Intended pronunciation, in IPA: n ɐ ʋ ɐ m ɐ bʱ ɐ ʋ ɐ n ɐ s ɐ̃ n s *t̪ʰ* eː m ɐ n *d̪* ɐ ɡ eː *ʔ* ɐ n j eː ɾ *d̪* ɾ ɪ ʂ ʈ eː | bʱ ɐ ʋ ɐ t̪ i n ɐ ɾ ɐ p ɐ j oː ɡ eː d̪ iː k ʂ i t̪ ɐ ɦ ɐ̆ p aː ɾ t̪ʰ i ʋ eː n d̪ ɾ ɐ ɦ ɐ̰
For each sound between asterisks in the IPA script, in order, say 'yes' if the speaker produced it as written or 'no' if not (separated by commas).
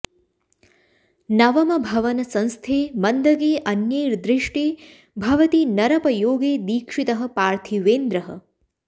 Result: yes, yes, yes, yes